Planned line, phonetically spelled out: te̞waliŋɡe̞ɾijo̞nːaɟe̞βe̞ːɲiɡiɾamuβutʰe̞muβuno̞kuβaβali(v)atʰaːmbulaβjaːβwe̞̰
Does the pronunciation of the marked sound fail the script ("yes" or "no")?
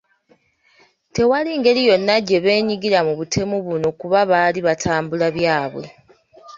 yes